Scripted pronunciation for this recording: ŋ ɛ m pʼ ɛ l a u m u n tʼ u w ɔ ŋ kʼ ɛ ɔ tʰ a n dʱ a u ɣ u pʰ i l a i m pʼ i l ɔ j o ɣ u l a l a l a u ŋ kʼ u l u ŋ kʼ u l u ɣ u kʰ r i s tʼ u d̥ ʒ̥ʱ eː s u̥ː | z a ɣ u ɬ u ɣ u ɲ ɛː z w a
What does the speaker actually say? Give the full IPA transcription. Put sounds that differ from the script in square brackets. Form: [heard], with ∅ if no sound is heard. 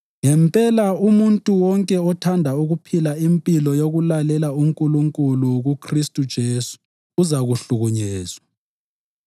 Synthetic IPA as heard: ŋ ɛ m pʼ ɛ l a u m u n tʼ u w ɔ ŋ kʼ ɛ ɔ tʰ a n dʱ a u ɣ u pʰ i l a i m pʼ i l ɔ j o ɣ u l a l [ɛ] l a u ŋ kʼ u l u ŋ kʼ u l u ɣ u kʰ r i s tʼ u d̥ ʒ̥ʱ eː s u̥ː | z a ɣ u ɬ u ɣ u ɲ ɛː z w a